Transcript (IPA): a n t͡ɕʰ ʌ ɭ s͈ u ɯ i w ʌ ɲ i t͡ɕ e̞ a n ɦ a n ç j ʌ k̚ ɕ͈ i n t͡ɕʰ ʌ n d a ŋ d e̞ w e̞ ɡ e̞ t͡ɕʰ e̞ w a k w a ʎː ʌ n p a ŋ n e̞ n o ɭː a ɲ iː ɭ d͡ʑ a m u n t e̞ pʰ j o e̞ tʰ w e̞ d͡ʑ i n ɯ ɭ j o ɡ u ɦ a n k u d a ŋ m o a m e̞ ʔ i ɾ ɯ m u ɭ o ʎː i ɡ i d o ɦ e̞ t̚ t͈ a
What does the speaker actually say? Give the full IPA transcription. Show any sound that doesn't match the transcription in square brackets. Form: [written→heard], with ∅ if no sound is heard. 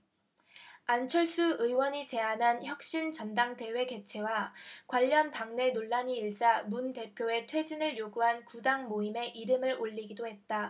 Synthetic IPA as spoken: a n t͡ɕʰ ʌ ɭ s͈ u ɯ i w ʌ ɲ i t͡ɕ e̞ a n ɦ a n ç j ʌ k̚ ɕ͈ i n [t͡ɕʰ→t͡ɕ] ʌ n d a ŋ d e̞ w e̞ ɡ e̞ t͡ɕʰ e̞ w a k w a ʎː ʌ n p a ŋ n e̞ n o ɭː a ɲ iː ɭ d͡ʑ a m u n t e̞ pʰ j o e̞ tʰ w e̞ d͡ʑ i n ɯ ɭ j o ɡ u ɦ a n k u d a ŋ m o [a→i] m e̞ ʔ i ɾ ɯ m [u→ɯ] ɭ o ʎː i ɡ i d o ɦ e̞ t̚ t͈ a